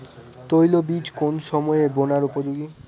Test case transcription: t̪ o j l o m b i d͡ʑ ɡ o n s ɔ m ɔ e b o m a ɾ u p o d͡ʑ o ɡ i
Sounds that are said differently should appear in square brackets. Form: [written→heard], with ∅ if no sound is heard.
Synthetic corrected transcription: t̪ o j l o [m→∅] b i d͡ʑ [ɡ→k] o n [s→ʃ] ɔ m ɔ e b o [m→n] a ɾ u p o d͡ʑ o ɡ i